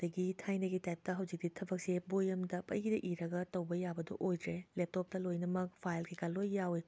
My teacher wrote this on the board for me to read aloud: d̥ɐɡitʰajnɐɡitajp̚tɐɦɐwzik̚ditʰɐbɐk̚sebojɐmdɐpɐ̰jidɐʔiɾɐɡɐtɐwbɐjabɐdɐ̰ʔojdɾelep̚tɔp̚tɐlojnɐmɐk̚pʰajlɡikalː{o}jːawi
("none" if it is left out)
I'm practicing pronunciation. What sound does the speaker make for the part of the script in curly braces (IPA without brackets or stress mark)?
o